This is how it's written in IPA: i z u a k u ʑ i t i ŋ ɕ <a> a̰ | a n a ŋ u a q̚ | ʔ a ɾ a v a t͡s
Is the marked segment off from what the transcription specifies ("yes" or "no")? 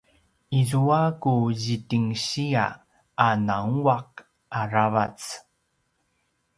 yes